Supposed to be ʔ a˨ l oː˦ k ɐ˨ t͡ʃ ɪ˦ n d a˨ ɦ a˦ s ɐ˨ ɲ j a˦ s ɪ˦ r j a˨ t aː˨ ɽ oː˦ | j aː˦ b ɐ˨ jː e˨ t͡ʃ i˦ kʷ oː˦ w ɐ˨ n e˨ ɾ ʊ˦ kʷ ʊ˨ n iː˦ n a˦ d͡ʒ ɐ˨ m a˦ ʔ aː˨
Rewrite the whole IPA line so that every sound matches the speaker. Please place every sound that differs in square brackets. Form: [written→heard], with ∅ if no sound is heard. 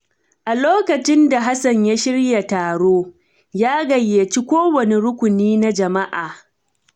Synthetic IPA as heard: ʔ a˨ l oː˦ k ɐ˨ t͡ʃ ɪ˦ n d a˨ ɦ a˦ s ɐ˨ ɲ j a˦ [s→ʃ] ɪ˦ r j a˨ t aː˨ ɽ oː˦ | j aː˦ [b→ɡ] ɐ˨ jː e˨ t͡ʃ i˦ kʷ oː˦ w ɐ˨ n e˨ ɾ ʊ˦ kʷ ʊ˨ n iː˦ n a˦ d͡ʒ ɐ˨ m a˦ ʔ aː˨